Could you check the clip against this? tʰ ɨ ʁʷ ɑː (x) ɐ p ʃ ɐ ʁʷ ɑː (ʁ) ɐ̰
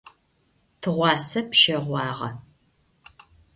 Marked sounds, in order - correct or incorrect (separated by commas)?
incorrect, correct